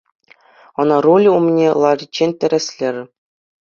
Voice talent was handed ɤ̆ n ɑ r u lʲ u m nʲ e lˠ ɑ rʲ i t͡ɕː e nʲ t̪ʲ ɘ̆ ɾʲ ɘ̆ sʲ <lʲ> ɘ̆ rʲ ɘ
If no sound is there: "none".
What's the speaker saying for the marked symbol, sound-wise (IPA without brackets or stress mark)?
lʲ